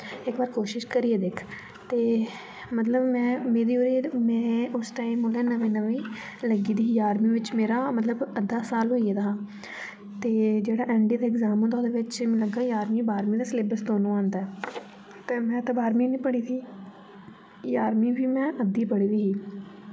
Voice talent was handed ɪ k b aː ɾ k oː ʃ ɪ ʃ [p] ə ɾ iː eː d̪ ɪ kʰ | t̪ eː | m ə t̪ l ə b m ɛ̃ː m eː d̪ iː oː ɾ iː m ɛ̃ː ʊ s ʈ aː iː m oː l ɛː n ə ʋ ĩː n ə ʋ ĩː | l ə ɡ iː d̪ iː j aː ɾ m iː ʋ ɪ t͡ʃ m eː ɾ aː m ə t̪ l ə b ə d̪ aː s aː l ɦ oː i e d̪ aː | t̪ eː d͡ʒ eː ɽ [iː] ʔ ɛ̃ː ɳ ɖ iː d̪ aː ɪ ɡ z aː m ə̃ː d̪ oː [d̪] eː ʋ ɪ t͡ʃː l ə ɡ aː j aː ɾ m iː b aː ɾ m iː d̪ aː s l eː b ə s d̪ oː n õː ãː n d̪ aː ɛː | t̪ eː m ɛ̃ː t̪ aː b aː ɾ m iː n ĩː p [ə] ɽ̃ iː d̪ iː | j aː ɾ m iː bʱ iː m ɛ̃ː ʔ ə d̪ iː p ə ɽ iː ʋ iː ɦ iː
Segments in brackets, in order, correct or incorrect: incorrect: k, incorrect: aː, correct, correct

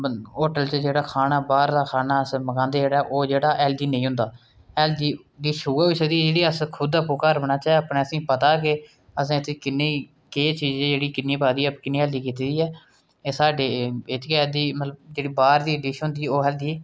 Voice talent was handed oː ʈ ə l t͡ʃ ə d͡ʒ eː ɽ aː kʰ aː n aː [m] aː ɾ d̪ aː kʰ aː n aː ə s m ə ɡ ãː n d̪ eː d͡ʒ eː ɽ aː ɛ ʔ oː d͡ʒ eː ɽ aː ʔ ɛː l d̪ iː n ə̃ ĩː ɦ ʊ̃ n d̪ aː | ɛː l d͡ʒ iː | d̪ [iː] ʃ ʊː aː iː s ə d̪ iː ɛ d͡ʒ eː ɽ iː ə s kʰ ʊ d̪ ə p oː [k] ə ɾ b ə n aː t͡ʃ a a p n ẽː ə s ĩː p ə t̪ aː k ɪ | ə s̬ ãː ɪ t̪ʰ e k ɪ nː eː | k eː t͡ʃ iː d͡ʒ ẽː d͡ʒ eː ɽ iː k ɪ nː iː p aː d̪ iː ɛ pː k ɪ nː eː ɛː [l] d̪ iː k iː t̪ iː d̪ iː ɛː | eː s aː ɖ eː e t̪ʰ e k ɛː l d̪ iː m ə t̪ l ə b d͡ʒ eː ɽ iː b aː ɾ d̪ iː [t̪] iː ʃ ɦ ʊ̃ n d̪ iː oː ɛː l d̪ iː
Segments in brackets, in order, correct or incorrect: incorrect: b, correct, correct, correct, incorrect: d̪

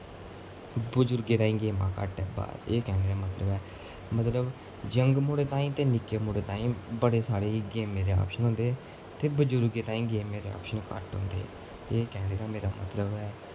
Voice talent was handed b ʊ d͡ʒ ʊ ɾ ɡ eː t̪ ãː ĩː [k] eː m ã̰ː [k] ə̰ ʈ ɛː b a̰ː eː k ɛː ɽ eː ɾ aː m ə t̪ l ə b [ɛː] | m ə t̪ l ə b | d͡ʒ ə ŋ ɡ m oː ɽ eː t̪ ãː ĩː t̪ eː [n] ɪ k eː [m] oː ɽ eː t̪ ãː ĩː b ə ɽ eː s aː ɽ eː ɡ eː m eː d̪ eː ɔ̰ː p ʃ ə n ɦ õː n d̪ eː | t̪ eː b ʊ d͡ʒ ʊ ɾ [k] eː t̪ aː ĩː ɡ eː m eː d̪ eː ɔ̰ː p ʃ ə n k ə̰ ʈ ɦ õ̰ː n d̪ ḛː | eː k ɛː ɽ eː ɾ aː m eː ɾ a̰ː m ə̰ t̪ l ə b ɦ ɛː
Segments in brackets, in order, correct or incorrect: incorrect: ɡ, correct, correct, correct, correct, incorrect: ɡ

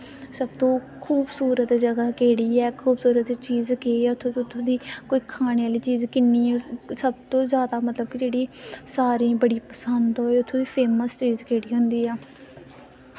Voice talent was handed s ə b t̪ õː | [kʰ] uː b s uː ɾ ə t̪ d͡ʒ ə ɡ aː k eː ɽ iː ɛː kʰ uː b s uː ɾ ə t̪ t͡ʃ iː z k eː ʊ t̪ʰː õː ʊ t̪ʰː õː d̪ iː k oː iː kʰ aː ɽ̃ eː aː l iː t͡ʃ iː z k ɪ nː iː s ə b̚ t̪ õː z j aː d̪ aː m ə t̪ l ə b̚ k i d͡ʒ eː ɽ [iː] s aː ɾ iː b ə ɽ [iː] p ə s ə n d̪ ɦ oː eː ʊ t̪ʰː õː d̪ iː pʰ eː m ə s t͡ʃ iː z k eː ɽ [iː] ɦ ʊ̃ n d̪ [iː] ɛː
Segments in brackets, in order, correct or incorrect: correct, correct, correct, correct, correct

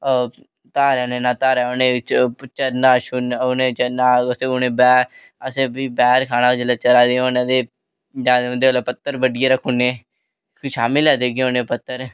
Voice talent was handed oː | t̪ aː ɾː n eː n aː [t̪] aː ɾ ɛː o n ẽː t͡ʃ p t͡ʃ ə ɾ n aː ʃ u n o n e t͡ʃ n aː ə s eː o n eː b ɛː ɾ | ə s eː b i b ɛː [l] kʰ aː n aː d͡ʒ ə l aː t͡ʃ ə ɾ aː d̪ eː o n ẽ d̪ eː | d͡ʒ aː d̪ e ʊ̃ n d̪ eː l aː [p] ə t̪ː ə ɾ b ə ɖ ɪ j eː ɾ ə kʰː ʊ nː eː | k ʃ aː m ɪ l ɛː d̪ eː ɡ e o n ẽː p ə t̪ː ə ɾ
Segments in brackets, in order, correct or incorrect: correct, incorrect: ɾ, correct

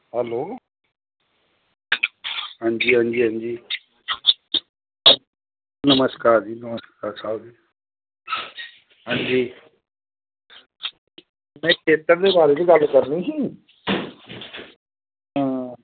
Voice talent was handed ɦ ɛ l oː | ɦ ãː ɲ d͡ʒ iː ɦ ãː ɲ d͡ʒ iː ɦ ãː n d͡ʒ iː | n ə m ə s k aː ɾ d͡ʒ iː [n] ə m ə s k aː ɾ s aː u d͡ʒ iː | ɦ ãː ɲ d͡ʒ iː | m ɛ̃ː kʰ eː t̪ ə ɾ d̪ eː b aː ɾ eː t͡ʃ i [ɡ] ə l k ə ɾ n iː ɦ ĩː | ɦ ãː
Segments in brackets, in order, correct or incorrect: correct, correct

